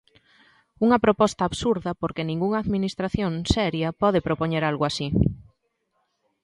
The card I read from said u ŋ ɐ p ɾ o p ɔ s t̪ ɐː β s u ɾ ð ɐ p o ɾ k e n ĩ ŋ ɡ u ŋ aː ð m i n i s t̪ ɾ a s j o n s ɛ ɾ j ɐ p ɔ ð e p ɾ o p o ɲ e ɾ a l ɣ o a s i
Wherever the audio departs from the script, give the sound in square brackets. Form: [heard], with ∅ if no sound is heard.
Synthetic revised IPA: u ŋ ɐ p ɾ o p ɔ s t̪ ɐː β s u ɾ ð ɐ p o ɾ k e n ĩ ŋ ɡ u ŋ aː ð m i n i s t̪ ɾ a [θ] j o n s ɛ ɾ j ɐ p ɔ ð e p ɾ o p o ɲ e ɾ a l ɣ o a s i